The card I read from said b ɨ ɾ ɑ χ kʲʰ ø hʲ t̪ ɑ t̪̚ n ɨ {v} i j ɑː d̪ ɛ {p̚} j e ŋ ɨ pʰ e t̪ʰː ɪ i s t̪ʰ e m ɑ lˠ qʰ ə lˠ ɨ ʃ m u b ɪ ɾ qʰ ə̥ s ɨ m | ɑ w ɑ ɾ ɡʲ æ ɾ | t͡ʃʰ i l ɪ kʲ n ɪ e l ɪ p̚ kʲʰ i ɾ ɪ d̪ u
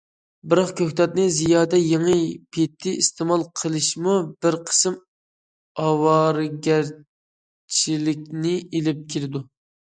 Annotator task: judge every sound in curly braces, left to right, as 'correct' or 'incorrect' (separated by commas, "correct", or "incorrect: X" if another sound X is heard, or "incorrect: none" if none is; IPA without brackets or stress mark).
incorrect: z, incorrect: none